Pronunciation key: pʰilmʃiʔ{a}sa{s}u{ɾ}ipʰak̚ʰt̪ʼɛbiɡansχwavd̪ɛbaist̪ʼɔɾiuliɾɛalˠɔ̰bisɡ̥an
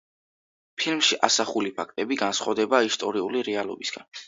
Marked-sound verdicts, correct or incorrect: correct, incorrect, incorrect

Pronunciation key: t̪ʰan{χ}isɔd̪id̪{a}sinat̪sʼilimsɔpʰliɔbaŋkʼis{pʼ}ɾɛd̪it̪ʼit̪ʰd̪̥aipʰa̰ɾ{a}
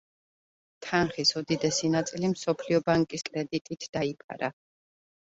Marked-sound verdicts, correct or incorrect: correct, incorrect, incorrect, correct

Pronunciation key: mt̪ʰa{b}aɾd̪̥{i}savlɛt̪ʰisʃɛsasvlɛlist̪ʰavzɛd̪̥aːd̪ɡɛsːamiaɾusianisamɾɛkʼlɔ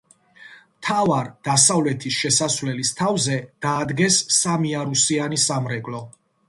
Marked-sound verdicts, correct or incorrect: incorrect, incorrect

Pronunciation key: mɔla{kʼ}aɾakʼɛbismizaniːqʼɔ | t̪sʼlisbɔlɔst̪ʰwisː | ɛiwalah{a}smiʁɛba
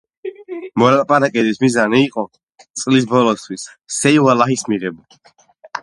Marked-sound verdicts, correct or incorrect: incorrect, incorrect

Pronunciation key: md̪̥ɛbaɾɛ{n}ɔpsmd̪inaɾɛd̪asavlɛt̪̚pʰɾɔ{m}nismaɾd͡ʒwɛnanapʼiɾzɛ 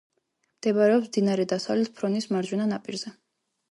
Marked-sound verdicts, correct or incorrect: incorrect, incorrect

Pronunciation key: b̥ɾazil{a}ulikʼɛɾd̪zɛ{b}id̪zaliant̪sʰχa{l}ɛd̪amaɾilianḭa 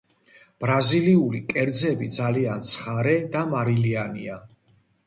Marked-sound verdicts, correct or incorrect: incorrect, correct, incorrect

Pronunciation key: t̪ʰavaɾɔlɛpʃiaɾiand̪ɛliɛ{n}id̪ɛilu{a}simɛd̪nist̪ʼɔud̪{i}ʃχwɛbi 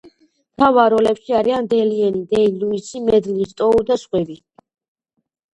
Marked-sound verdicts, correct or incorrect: correct, incorrect, incorrect

